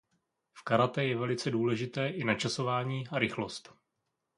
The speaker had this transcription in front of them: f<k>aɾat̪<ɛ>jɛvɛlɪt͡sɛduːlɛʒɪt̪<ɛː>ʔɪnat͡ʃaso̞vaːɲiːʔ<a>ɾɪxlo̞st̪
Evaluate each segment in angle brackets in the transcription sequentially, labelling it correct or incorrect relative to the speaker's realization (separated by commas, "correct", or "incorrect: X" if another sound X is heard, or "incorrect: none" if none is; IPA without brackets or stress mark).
correct, correct, correct, correct